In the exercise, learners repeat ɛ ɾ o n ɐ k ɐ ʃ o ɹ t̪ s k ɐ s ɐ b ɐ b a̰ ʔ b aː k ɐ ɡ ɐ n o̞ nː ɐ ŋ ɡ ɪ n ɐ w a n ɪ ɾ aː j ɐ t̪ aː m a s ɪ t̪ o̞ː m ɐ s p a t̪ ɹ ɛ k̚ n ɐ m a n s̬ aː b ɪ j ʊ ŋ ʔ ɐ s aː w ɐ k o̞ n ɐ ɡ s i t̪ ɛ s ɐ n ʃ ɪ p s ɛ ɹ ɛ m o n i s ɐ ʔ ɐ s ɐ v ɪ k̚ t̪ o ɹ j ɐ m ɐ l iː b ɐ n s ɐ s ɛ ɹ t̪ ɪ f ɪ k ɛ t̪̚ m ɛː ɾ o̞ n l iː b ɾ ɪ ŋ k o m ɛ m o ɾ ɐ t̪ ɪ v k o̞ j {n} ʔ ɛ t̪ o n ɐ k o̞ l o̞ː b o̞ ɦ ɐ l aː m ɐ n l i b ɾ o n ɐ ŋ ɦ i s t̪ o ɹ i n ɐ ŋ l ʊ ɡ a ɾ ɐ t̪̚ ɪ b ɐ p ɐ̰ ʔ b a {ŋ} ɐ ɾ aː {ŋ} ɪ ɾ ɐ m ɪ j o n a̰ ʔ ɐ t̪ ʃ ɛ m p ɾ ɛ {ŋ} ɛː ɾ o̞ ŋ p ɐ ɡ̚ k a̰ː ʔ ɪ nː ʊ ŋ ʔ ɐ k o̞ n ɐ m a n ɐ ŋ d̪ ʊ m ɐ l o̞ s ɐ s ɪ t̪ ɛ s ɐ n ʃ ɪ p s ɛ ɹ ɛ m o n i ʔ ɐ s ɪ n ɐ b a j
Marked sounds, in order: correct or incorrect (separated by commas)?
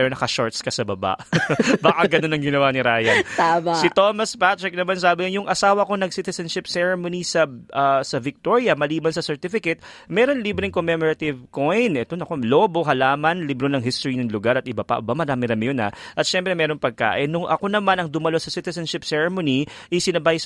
correct, incorrect, incorrect, incorrect